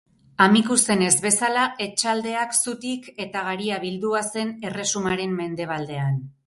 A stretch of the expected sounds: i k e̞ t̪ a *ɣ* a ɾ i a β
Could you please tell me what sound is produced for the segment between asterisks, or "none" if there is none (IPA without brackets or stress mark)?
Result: ɣ